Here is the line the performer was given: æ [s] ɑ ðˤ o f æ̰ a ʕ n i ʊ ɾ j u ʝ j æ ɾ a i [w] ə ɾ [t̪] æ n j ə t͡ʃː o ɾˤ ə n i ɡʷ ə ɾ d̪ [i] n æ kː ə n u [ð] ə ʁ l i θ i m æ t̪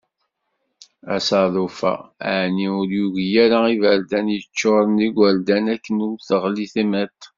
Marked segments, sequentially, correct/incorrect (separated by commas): correct, incorrect, incorrect, incorrect, incorrect